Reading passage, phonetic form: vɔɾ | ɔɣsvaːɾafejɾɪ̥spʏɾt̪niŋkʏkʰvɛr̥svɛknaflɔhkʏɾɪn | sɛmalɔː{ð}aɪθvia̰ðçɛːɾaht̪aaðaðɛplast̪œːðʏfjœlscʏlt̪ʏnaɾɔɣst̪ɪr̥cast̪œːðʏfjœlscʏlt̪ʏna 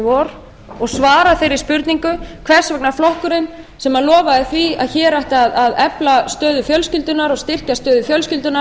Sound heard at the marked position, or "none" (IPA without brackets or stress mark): v